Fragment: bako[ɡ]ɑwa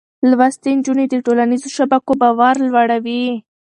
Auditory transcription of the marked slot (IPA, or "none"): b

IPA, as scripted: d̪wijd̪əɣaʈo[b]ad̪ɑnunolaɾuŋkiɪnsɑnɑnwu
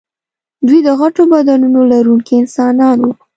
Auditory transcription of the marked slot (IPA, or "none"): b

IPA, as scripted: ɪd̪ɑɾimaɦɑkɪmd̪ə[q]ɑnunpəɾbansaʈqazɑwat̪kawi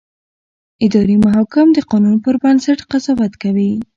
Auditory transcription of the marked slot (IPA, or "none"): q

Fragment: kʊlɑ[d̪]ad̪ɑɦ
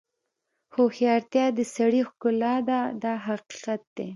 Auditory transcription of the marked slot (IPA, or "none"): d̪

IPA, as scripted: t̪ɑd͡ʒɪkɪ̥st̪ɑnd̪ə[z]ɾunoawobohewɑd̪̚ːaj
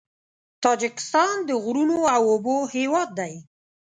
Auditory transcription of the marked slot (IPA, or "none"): ɣ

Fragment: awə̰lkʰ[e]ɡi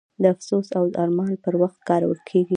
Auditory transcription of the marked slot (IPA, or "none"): e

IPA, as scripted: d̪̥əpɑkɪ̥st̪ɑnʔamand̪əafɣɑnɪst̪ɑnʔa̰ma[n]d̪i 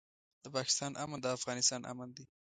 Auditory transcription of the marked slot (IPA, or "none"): n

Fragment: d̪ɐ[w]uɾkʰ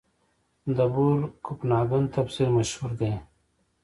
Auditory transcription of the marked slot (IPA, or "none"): b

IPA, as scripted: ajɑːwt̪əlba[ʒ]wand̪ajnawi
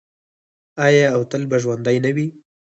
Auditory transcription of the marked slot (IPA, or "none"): ʒ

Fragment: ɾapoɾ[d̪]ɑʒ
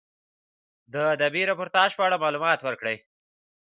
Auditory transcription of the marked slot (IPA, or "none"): t̪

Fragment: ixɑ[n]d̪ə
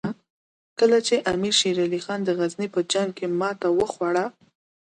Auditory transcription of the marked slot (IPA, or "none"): n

